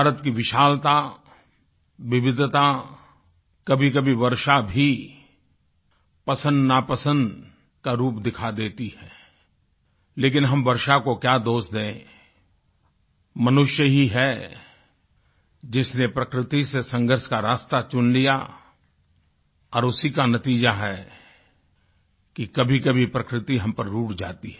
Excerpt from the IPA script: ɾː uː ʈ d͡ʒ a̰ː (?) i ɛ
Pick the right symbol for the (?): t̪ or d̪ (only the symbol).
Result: t̪